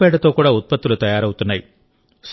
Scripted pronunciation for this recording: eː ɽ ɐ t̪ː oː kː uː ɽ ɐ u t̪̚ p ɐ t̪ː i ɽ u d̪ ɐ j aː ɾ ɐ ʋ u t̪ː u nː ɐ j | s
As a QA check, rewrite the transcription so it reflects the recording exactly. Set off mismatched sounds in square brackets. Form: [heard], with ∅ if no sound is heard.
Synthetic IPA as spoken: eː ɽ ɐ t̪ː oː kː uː ɽ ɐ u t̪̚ p ɐ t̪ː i [l] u [t̪] ɐ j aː ɾ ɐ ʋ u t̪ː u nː ɐ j | s